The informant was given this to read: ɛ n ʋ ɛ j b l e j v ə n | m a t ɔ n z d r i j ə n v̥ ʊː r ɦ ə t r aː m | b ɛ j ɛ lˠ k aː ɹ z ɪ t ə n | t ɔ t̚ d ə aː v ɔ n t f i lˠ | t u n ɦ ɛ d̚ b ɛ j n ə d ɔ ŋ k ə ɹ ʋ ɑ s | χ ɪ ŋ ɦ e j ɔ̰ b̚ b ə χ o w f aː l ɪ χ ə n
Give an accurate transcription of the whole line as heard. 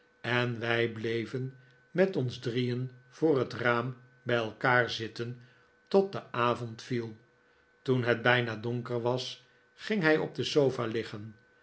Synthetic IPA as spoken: ɛ n ʋ ɛ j b l e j v ə n | m ɛ t ɔ n z d r i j ə n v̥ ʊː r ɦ ə t r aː m | b ɛ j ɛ lˠ k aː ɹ z ɪ t ə n | t ɔ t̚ d ə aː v ɔ n t f i lˠ | t u n ɦ ɛ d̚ b ɛ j n a d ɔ ŋ k ə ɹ ʋ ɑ s | χ ɪ ŋ ɦ ɛ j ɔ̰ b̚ d ə s o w f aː l ɪ χ ə n

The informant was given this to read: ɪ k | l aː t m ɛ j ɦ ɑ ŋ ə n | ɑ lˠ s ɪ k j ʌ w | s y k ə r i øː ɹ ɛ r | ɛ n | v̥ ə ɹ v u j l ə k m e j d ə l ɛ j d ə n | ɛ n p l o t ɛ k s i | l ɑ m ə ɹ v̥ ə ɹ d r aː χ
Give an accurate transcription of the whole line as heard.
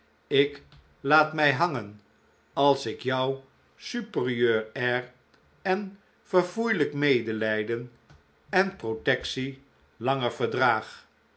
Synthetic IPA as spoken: ɪ k | l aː t m ɛ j ɦ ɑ ŋ ə n | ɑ lˠ s ɪ k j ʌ w | s y p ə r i øː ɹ ɛ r | ɛ n | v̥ ə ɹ v u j l ə k m e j d ə l ɛ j d ə n | ɛ n p r o t ɛ k s i | l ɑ ŋ ə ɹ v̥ ə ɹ d r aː χ

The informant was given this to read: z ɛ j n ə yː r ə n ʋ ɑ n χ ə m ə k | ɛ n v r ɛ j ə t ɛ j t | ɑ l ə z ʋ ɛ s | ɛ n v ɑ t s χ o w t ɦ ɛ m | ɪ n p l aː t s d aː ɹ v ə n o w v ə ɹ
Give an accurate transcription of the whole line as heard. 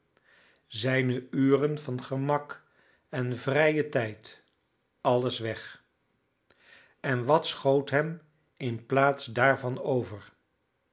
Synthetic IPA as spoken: z ɛ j n ə yː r ə n v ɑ n χ ə m ɑ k | ɛ n v r ɛ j ə t ɛ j t | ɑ l ə s ʋ ɛ χ | ɛ n ʋ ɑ t s χ o w t ɦ ɛ m | ɪ n p l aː t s d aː ɹ v ɑ n o w v ə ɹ

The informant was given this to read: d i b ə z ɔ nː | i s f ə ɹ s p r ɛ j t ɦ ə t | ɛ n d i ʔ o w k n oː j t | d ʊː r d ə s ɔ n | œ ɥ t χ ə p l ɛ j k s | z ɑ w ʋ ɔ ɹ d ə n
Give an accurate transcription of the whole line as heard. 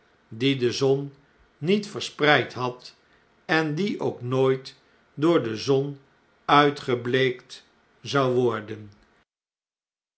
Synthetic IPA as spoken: d i d ə z ɔ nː | i t f ə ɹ s p r ɛ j t ɦ ɑ t | ɛ n d i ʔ o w k n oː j t | d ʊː ɹ d ə z ɔ n | œ ɥ t χ ə b l e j k t | z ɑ w ʋ ɔ ɹ d ə n

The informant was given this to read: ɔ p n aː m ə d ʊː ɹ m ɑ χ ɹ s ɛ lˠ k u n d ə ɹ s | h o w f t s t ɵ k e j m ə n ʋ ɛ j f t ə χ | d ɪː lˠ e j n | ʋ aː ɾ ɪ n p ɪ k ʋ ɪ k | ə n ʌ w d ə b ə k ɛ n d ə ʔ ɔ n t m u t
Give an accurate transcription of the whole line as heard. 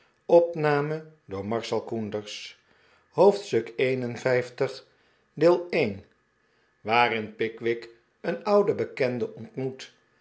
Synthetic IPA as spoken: ɔ p n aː m ə d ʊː ɹ m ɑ ɹ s ɛ lˠ k u n d ə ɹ s | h o w f t s t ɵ k e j n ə n v ɛ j f t ə χ | d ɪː lˠ e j n | ʋ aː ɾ ɪ n p ɪ k ʋ ɪ k | ə n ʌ w d ə b ə k ɛ n d ə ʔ ɔ n t m u t

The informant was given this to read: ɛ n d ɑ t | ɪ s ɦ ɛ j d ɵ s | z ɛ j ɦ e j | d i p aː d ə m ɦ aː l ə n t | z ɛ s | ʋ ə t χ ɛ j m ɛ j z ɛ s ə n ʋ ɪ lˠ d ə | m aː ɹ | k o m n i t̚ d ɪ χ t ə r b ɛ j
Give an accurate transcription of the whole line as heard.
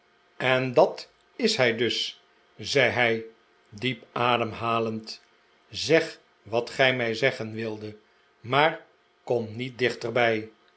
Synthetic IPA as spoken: ɛ n d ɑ t | ɪ s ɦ ɛ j d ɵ s | z ɛ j ɦ ɛ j | d i p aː d ə m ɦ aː l ə n t | z ɛ χ | ʋ ɑ t χ ɛ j m ɛ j z ɛ χ ə n ʋ ɪ lˠ d ə | m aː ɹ | k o m n i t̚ d ɪ χ t ə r b ɛ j

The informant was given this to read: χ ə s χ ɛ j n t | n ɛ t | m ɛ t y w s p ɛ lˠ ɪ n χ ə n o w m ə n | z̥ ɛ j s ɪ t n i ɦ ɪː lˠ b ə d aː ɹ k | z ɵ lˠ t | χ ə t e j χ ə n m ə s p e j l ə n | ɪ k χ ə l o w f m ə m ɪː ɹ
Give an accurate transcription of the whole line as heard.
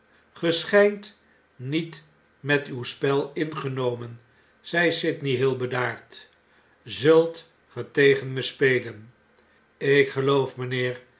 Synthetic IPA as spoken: χ ə s χ ɛ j n t | n i t | m ɛ t y w s p ɛ lˠ ɪ n χ ə n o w m ə n | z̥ ɛ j s ɪ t n i ɦ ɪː lˠ b ə d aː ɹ t | z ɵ lˠ t | χ ə t e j χ ə n m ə s p e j l ə n | ɪ k χ ə l o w f m ə n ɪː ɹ

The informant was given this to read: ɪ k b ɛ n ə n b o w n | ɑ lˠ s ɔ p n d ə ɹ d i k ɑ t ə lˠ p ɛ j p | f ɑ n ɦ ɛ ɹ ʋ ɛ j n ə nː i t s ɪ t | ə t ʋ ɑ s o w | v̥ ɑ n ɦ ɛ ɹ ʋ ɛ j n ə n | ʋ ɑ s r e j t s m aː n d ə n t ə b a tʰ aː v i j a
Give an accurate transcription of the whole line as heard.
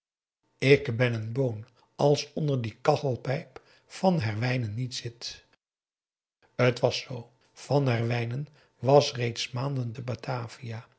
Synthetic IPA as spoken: ɪ k b ɛ n ə n b o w n | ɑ lˠ s ɔ n d ə ɹ d i k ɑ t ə lˠ p ɛ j p | f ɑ n ɦ ɛ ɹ ʋ ɛ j n ə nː i t s ɪ t | ə t ʋ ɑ s o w | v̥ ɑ n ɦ ɛ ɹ ʋ ɛ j n ə n | ʋ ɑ s r e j t s m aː n d ə n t ə b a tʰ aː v i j a

